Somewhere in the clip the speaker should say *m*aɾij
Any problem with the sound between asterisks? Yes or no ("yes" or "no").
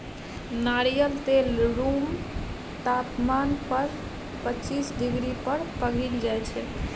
yes